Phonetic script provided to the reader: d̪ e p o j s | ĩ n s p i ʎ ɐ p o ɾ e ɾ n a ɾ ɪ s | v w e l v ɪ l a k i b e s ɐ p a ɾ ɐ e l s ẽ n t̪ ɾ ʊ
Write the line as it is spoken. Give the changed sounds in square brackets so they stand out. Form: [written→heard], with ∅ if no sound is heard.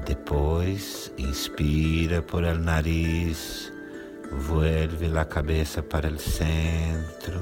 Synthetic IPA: d̪ e p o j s | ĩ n s p i [ʎ→ɾ] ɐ p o ɾ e [ɾ→l] n a ɾ [ɪ→i] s | v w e l v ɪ l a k [i→a] b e s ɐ p a ɾ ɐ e l s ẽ n t̪ ɾ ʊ